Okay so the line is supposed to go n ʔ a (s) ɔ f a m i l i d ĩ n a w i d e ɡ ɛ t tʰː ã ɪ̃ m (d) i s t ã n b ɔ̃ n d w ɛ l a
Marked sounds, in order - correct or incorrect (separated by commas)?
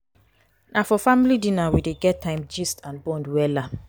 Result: incorrect, incorrect